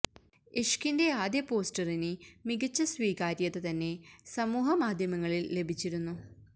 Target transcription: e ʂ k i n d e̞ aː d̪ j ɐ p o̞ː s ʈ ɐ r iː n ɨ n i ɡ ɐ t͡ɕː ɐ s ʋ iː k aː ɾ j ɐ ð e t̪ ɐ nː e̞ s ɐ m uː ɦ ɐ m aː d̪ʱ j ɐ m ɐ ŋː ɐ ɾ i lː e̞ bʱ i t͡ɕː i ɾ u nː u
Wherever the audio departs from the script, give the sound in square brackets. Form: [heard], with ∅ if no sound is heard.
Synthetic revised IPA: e ʂ k i n d e̞ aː d̪ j ɐ p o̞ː s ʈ ɐ r [i] n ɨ [m] i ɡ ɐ t͡ɕː ɐ s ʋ iː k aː ɾ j ɐ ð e t̪ ɐ nː e̞ s ɐ m uː ɦ ɐ m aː d̪ʱ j ɐ m ɐ ŋː ɐ [ɭ] i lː e̞ bʱ i t͡ɕː i ɾ u nː u